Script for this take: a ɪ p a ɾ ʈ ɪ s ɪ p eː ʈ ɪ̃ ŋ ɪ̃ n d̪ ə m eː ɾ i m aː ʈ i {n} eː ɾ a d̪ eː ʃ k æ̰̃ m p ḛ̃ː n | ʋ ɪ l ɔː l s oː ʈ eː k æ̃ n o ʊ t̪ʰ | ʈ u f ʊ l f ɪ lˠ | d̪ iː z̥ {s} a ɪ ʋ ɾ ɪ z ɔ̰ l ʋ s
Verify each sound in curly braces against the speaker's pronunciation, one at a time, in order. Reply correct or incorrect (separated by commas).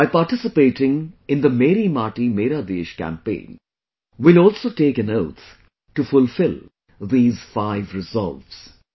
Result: incorrect, incorrect